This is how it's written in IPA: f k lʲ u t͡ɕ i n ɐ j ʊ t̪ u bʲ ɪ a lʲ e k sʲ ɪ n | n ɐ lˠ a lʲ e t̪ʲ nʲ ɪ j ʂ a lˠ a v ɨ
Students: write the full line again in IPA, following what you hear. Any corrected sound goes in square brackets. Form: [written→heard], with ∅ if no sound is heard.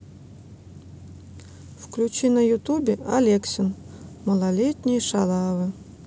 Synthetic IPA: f k lʲ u t͡ɕ i n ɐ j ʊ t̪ u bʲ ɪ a lʲ e k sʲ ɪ n | [n→m] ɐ lˠ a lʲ e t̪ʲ nʲ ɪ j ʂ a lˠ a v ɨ

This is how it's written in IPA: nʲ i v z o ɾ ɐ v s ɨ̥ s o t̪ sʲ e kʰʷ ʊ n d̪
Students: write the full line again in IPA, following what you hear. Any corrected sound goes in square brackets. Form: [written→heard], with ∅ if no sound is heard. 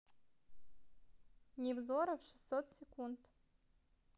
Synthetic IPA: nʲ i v z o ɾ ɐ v [s→ʂ] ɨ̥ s o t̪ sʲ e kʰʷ [ʊ→u] n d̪

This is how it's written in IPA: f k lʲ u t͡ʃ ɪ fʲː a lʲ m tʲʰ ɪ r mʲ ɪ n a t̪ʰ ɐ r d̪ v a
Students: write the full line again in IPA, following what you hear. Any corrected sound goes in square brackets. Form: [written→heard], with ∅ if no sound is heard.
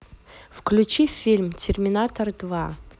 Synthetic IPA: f k lʲ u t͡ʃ [ɪ→i] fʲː [a→i] lʲ m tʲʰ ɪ r mʲ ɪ n a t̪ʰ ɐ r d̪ v a

